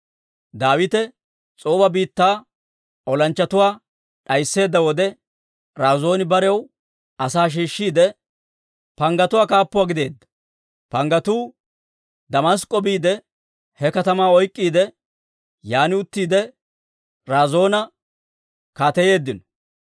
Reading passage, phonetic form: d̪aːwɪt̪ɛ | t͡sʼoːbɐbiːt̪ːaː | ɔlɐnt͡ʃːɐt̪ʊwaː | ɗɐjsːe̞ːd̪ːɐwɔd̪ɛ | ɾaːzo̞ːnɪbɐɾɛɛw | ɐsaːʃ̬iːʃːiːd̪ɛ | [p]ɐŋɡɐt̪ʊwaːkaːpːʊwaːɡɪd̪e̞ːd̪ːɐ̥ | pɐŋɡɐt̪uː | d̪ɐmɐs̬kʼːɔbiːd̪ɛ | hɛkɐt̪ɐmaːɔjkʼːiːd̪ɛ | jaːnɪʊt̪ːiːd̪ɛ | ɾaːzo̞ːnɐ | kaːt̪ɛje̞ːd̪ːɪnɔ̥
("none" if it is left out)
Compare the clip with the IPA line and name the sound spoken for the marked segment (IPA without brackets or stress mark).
p